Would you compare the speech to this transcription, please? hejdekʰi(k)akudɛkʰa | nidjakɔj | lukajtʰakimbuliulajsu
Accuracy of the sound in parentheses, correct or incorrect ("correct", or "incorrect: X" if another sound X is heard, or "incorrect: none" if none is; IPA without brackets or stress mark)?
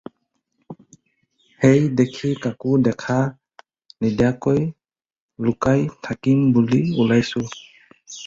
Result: correct